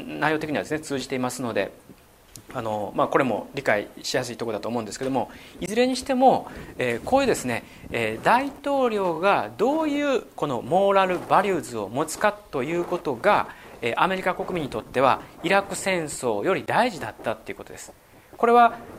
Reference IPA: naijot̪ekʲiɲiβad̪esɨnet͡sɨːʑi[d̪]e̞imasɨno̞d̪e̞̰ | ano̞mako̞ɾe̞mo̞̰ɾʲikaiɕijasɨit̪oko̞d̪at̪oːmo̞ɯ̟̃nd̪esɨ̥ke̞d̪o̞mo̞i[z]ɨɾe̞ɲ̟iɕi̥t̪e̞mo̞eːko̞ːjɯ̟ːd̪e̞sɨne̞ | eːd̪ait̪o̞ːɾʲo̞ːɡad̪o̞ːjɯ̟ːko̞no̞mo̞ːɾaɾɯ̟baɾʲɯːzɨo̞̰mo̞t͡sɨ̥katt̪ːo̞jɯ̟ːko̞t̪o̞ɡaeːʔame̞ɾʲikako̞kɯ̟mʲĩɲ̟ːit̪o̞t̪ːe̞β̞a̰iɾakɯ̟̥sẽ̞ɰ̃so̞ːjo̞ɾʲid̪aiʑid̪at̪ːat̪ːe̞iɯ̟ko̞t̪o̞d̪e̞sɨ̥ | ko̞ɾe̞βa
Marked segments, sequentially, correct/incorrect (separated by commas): incorrect, correct